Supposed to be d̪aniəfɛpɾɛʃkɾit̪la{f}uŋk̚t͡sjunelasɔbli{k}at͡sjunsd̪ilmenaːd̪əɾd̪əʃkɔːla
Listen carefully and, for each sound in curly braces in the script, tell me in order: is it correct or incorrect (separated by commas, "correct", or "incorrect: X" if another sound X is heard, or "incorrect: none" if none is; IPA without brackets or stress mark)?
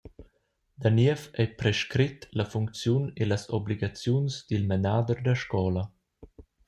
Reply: correct, incorrect: ɡ